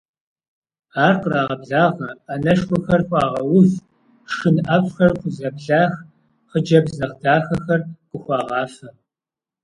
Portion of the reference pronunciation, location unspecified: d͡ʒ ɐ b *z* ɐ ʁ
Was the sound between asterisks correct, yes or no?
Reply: yes